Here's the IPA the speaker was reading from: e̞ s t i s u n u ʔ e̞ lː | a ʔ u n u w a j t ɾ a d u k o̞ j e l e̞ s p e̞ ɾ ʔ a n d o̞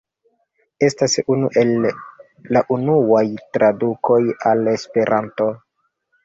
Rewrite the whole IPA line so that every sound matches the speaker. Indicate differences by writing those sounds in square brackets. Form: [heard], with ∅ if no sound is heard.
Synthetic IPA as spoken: e̞ s t [a] s u n u ʔ e̞ lː | a ʔ u n u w a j t ɾ a d u k o̞ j [a] l e̞ s p e̞ ɾ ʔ a n [t] o̞